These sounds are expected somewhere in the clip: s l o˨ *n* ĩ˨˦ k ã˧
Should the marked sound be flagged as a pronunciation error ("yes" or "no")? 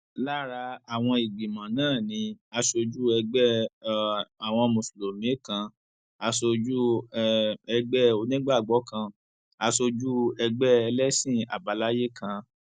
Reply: yes